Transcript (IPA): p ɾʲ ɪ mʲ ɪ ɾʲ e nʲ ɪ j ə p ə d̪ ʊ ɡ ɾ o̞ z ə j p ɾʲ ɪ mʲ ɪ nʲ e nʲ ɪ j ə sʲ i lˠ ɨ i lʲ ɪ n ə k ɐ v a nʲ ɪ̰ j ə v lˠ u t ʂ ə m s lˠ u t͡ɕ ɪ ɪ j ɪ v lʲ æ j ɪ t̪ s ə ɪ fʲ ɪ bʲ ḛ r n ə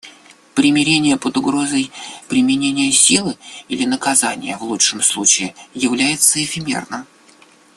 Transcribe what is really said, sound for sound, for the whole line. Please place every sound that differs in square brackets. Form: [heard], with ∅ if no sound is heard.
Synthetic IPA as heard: p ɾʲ ɪ mʲ ɪ ɾʲ e nʲ ɪ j ə p ə d̪ ʊ ɡ ɾ o̞ z ə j p ɾʲ ɪ mʲ ɪ nʲ e nʲ ɪ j ə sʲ i lˠ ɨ i lʲ ɪ n ə k ɐ [z] a nʲ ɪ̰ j ə v lˠ u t ʂ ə m s lˠ u t͡ɕ ɪ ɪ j ɪ v lʲ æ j ɪ t̪ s ə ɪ fʲ ɪ [mʲ] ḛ r n ə